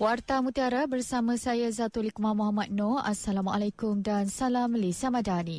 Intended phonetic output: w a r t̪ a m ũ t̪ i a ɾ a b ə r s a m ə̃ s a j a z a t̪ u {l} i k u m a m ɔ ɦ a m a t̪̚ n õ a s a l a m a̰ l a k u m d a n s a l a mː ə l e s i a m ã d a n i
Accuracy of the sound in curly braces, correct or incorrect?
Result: correct